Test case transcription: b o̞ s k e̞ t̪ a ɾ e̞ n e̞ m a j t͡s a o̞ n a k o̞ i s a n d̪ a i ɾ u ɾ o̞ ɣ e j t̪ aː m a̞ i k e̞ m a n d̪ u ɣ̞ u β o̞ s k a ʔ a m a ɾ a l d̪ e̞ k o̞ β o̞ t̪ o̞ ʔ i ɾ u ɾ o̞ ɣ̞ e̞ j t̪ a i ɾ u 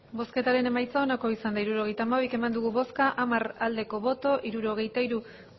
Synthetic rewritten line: b o̞ s k e̞ t̪ a ɾ e̞ n e̞ m a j t͡s a o̞ n a k o̞ i s a n d̪ a i ɾ u ɾ o̞ ɣ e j t̪ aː m a̞ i k e̞ m a n d̪ u ɣ̞ u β o̞ s k a ʔ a m a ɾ a l d̪ e̞ k o̞ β o̞ t̪ o̞ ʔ i ɾ u ɾ o̞ ɣ̞ e̞ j t̪ a i ɾ u